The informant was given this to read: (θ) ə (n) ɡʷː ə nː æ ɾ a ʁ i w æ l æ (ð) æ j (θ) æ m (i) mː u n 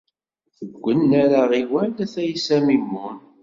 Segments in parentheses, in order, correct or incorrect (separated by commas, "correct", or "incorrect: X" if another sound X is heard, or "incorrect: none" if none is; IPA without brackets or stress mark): correct, incorrect: none, incorrect: θ, incorrect: s, correct